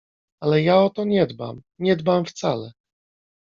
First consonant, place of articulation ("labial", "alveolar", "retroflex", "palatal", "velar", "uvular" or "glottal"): alveolar